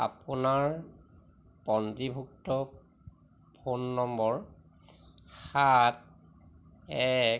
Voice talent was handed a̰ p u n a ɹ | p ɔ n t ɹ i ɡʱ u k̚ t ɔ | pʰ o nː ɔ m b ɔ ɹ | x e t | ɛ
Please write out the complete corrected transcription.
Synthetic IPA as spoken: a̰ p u n a ɹ | p ɔ n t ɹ i bʱ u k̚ t ɔ | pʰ o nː ɔ m b ɔ ɹ | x a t | ɛ